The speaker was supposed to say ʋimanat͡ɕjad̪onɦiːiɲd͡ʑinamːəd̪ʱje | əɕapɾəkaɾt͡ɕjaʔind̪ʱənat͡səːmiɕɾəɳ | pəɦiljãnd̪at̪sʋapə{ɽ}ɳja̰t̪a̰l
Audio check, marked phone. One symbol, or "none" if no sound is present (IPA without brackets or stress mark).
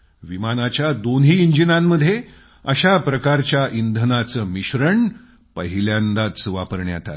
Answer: ɾ